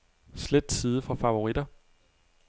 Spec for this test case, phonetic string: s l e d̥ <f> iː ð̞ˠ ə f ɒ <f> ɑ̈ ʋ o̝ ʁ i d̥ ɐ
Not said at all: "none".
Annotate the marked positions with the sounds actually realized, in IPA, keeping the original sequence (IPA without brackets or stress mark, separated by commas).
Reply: s, f